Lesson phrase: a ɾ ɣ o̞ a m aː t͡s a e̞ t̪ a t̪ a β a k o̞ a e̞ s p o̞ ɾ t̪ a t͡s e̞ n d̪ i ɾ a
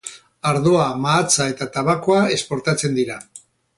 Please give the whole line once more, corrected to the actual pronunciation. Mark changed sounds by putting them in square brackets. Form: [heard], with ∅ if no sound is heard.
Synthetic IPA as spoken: a ɾ [ð] o̞ a m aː t͡s a e̞ t̪ a t̪ a β a k o̞ a e̞ s p o̞ ɾ t̪ a t͡s e̞ n d̪ i ɾ a